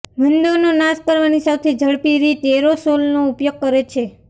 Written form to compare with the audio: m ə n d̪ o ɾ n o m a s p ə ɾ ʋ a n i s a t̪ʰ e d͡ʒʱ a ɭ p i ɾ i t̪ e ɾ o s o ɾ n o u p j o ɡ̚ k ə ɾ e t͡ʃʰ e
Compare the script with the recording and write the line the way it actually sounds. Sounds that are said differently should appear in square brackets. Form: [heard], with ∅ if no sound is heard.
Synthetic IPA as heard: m ə n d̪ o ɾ n o [n] a s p ə ɾ ʋ a n i s a t̪ʰ e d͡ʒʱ [ə] ɭ p i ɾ i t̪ e ɾ o s o [l] n o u p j o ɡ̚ k ə ɾ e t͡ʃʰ e